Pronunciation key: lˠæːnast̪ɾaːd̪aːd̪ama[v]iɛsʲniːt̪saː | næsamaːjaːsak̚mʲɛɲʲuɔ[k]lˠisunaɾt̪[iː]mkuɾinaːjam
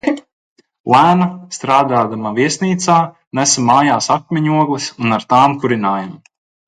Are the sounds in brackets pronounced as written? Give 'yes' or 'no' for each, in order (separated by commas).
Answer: yes, no, no